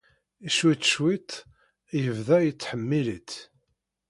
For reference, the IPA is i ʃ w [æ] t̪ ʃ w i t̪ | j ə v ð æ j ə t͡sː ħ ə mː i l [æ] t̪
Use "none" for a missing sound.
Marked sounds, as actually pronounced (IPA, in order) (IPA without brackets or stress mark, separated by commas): i, i